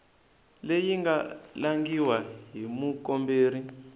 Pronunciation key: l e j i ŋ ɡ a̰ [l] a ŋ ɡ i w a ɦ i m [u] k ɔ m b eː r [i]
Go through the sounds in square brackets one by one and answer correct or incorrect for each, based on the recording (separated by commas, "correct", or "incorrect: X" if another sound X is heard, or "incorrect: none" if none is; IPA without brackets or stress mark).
correct, correct, correct